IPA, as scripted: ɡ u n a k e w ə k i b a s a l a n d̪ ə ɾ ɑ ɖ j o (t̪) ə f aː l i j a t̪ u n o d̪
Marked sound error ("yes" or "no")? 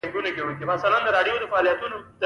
yes